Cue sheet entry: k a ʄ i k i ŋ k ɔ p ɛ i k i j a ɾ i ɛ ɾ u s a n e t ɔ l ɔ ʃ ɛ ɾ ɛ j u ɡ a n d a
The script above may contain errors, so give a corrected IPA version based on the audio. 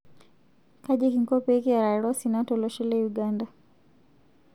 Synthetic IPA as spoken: k a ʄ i k i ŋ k ɔ p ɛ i k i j a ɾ a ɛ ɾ ɔ s i n a t ɔ l ɔ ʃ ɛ l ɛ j u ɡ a n d a